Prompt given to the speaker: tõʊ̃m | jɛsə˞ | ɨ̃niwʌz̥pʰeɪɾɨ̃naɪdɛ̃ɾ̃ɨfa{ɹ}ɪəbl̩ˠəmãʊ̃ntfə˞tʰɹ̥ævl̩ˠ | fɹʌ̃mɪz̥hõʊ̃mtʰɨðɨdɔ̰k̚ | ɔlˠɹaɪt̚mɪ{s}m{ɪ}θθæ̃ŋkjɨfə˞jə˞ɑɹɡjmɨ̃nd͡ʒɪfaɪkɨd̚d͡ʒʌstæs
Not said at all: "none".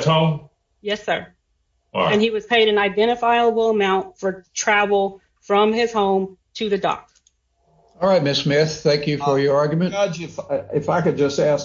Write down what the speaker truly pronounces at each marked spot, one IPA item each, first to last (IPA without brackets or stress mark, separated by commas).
none, s, ɪ